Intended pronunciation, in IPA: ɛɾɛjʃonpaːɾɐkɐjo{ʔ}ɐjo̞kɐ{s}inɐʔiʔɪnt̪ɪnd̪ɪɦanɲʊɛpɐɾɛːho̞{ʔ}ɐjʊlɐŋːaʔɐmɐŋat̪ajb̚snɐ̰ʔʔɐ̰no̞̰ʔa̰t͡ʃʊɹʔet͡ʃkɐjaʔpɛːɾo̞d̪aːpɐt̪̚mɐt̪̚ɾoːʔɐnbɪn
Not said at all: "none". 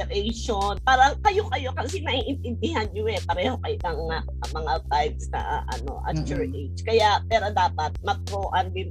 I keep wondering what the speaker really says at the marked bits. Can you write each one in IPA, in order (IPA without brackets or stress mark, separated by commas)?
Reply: k, s, k